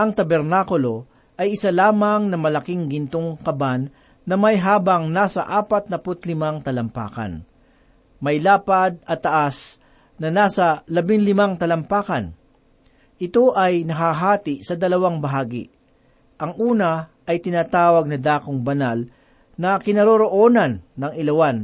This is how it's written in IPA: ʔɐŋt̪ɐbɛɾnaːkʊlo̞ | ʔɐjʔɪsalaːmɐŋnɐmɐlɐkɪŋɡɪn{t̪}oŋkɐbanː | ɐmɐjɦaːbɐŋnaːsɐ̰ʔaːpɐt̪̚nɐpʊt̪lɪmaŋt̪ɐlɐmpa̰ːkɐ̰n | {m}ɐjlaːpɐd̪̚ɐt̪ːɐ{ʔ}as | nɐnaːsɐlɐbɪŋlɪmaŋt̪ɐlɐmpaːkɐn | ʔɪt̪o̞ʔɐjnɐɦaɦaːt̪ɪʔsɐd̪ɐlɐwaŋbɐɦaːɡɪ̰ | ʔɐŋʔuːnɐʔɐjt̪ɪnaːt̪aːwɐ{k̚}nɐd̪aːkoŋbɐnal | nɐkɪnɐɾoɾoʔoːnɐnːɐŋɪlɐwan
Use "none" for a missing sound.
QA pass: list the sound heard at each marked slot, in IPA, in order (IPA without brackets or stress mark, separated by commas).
t̪, m, ʔ, ɡ̚